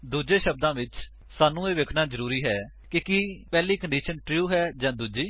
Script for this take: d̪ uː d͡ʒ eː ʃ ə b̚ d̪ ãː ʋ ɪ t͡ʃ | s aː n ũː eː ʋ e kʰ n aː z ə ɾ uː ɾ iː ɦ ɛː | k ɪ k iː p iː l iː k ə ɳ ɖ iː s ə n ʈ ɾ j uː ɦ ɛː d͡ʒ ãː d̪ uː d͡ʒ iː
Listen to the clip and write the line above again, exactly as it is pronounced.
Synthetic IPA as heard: d̪ uː d͡ʒ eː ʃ ə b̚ d̪ ãː ʋ ɪ t͡ʃ | s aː n ũː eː ʋ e kʰ n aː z ə ɾ uː ɾ iː ɦ ɛː | k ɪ k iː p ɛː l iː k ə ɳ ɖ iː ʃ ə n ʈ ɾ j uː ɦ ɛː d͡ʒ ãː d̪ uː d͡ʒ iː